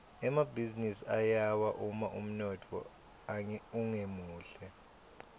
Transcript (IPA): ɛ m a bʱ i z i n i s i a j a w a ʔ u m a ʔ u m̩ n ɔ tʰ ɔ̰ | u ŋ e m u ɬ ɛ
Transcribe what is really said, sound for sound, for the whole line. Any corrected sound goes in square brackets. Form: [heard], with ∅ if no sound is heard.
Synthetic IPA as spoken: ɛ m a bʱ i z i n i s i a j a w a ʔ u m a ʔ u m̩ n ɔ tʰ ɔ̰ | u ŋ e m [uː] ɬ ɛ